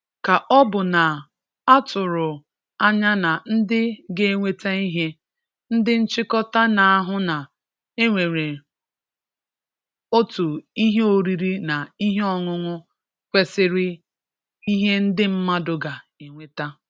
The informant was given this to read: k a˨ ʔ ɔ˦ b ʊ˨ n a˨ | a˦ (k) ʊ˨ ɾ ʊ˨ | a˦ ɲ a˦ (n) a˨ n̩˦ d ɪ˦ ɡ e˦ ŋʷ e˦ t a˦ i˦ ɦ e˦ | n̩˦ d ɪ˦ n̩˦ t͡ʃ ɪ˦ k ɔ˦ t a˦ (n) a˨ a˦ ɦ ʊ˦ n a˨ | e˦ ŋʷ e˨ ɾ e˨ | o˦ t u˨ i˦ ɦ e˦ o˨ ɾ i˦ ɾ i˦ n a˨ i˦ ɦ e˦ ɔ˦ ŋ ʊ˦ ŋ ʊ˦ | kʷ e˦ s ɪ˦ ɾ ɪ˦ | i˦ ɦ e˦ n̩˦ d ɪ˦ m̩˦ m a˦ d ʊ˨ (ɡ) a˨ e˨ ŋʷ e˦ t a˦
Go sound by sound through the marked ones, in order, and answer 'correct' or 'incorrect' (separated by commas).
incorrect, correct, correct, correct